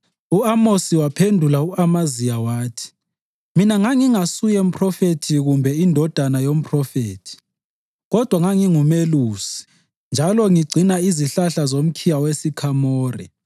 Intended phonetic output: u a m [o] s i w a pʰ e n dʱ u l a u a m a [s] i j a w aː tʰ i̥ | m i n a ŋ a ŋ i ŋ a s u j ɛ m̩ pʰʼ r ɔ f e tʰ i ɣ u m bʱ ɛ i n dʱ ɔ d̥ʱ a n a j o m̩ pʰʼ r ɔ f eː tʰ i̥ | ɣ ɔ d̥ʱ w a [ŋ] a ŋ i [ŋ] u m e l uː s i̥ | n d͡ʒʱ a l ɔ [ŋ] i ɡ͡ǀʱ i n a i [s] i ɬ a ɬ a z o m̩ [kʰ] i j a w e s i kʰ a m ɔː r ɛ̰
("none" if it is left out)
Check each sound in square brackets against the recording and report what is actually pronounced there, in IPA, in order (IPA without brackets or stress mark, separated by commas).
o, z, ŋ, ŋ, ŋ, z, kʰ